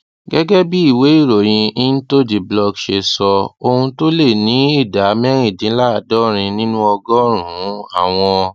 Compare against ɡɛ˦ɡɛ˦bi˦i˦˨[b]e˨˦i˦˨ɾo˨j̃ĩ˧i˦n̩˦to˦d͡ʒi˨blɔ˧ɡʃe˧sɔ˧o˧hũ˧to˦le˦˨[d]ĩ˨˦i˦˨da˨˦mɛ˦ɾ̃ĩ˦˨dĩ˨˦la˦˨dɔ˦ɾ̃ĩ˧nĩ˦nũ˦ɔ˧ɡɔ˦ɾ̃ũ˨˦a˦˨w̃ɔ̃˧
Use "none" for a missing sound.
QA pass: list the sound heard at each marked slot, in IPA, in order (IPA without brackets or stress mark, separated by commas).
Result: w, n